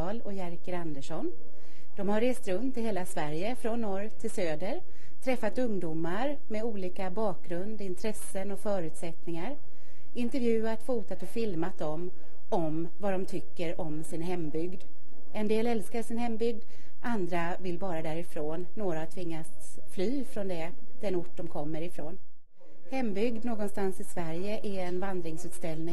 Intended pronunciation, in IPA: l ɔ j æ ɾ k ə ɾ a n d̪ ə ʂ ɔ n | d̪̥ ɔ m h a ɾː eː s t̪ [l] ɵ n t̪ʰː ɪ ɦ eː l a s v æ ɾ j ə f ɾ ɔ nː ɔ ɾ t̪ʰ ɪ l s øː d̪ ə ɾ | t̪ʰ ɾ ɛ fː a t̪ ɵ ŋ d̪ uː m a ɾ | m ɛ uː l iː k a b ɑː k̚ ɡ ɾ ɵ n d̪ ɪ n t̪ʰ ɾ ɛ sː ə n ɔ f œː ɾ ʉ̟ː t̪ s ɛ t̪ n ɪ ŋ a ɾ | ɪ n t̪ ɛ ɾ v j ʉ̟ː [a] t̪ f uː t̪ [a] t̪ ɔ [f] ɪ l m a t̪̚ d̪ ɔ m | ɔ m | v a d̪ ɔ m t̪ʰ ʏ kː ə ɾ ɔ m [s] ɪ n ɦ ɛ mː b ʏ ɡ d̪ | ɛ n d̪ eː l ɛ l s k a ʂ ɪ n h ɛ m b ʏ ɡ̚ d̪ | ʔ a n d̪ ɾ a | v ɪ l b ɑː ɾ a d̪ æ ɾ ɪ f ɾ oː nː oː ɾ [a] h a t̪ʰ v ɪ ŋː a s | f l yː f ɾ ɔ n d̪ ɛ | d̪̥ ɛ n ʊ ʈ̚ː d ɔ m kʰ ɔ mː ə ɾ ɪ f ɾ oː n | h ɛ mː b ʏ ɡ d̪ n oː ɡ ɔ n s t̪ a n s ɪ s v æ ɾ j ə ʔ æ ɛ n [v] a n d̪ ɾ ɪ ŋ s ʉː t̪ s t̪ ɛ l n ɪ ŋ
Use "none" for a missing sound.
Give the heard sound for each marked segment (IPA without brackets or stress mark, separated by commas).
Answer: ɾ, a, a, f, s, a, v